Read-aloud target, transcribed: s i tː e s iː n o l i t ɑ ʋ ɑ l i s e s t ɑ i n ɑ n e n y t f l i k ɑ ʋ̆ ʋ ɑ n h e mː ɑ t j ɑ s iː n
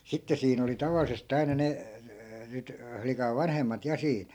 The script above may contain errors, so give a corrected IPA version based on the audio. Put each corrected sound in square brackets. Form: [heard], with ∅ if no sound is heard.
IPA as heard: s i tː e s iː n o l i t ɑ ʋ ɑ l i s e s t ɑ i n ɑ n e n y t f l i k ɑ ʋ̆ ʋ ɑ n h e mː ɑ t j ɑ s iː n